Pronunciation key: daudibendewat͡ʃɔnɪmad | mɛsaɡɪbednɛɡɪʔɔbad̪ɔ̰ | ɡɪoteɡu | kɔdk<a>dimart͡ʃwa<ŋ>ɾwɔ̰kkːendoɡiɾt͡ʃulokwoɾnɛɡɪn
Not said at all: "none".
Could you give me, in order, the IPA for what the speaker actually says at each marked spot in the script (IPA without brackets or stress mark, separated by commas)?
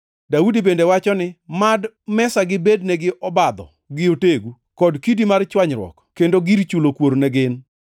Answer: i, ɲ